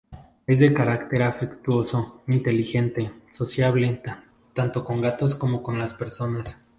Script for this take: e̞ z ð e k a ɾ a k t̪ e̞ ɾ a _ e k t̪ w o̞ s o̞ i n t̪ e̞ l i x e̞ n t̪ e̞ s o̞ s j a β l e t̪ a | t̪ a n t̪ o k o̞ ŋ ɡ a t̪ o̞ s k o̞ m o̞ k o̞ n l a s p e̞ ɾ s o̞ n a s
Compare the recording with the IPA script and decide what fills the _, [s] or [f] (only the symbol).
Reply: f